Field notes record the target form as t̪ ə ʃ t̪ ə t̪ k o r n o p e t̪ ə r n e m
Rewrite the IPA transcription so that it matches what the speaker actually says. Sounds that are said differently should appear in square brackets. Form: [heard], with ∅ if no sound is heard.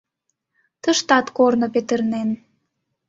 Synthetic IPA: t̪ ə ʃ t̪ [ɑ] t̪ k o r n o p e t̪ ə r n e [n]